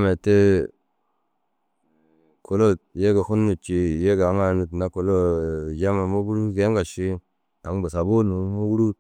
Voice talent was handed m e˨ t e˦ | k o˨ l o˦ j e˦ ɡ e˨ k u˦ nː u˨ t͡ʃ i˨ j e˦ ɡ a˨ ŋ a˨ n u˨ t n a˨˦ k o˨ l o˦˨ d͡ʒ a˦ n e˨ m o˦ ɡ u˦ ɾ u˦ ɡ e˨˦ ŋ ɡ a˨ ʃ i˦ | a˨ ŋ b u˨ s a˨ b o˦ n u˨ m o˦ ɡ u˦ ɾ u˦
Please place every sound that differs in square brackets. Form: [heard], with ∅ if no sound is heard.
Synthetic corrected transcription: m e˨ t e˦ | k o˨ l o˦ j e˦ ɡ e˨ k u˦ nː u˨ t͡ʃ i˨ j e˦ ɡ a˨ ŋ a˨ n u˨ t n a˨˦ k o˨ l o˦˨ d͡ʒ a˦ [m] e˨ m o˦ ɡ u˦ ɾ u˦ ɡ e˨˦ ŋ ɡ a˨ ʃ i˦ | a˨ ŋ b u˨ s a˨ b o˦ n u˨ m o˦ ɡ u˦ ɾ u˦